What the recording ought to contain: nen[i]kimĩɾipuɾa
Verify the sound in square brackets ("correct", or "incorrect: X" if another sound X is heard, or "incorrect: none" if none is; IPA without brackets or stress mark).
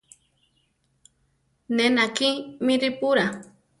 incorrect: a